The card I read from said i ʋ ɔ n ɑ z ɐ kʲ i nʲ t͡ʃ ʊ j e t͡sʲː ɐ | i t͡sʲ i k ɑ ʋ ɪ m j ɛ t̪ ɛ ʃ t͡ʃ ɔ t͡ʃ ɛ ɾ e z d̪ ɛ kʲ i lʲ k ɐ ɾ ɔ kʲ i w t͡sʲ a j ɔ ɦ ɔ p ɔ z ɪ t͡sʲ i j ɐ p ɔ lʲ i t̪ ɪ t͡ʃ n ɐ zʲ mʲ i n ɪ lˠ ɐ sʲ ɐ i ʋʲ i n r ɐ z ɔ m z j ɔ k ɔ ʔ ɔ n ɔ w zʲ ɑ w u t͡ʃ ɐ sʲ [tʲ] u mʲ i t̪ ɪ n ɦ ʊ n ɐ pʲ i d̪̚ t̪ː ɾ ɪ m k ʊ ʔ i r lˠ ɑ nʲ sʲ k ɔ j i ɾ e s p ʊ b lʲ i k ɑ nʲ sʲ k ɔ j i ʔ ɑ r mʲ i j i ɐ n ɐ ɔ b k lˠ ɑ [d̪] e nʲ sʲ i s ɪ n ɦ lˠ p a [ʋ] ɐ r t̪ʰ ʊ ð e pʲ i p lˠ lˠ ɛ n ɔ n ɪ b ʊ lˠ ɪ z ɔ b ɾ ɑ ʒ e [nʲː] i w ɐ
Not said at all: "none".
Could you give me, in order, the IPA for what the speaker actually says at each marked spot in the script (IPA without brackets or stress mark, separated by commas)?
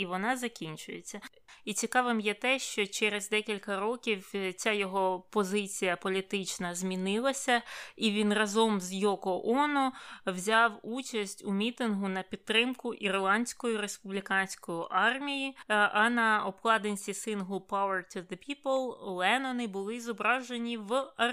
tʲ, d̪, w, nʲ